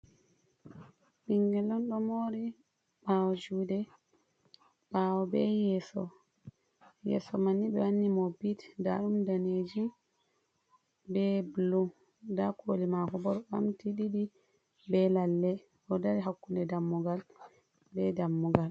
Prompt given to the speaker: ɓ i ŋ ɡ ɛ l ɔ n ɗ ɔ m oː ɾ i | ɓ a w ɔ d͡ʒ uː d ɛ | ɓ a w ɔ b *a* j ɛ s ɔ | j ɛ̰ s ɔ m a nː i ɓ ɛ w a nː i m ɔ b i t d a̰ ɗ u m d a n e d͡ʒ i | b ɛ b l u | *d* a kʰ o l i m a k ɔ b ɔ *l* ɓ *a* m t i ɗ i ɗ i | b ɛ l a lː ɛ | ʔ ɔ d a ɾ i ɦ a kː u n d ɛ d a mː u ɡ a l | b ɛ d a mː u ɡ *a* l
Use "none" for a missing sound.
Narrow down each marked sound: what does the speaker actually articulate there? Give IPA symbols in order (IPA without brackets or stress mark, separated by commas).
ɛ, d, ɾ, a, a